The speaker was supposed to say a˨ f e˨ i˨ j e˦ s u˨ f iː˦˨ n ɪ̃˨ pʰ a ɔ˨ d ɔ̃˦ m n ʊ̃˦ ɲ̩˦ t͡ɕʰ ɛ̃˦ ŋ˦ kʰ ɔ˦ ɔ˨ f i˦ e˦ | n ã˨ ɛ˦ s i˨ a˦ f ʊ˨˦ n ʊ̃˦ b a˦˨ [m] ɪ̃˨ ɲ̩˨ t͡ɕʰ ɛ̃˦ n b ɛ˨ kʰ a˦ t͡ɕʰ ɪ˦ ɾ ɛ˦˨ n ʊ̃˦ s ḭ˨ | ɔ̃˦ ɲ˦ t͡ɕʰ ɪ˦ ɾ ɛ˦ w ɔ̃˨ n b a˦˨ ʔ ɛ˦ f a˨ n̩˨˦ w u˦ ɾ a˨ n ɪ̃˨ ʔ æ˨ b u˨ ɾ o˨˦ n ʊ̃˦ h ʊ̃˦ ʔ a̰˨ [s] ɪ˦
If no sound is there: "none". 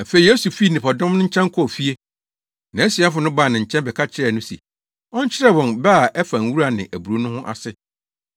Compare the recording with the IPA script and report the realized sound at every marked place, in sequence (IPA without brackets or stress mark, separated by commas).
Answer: n, s